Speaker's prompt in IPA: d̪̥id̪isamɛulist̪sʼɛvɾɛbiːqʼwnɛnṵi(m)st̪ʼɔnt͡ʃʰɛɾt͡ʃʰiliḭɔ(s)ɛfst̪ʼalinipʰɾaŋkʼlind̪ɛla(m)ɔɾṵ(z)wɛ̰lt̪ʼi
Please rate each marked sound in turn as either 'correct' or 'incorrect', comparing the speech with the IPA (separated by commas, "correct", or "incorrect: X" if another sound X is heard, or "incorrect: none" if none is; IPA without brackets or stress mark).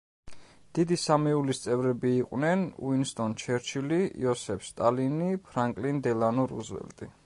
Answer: incorrect: n, correct, incorrect: n, correct